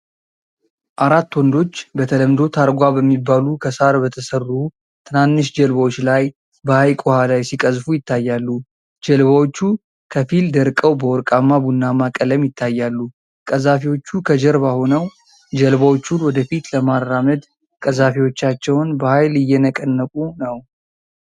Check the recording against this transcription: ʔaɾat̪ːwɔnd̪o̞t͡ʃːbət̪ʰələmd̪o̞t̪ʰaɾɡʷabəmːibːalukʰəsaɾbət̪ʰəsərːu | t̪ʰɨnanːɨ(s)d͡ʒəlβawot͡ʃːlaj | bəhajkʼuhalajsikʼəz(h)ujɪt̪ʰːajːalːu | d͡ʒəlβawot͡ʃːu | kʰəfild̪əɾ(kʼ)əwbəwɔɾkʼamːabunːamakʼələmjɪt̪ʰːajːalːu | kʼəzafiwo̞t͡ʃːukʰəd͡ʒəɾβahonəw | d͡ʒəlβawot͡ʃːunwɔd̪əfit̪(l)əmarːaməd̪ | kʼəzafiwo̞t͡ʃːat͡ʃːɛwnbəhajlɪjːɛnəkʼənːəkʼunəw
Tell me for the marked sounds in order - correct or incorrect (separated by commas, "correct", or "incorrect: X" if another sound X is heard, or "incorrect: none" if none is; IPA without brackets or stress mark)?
incorrect: ʃ, incorrect: f, correct, correct